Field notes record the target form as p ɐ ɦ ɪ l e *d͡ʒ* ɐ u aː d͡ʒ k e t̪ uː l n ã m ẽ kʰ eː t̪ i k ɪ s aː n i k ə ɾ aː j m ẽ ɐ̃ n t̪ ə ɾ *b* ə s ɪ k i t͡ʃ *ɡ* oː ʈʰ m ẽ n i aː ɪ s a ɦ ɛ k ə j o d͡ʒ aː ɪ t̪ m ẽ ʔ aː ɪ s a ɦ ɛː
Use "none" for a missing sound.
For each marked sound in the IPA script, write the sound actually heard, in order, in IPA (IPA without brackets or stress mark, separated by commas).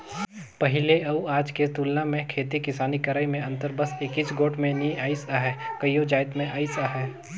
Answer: none, b, ɡ